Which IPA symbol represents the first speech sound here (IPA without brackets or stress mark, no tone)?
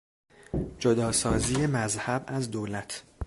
d͡ʒ